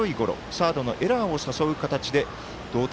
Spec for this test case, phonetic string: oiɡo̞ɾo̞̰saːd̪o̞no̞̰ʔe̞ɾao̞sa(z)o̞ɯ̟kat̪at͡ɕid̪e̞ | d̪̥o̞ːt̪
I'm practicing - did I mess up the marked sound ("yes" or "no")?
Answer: yes